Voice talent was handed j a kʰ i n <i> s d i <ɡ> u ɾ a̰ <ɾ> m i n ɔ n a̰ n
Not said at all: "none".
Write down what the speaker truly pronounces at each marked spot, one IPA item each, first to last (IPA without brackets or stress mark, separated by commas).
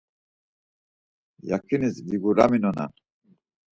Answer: i, ɡ, none